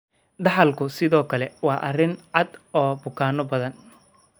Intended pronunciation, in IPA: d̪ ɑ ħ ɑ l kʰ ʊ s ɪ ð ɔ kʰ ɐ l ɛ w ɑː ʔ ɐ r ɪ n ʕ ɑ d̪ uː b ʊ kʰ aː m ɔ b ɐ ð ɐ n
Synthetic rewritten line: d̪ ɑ ħ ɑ l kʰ ʊ s ɪ ð ɔː kʰ ɐ l ɛ w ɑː ʔ ɐ r ɪ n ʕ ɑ d̪ ɔː b ʊ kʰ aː n ɔ b ɐ ð ɐ n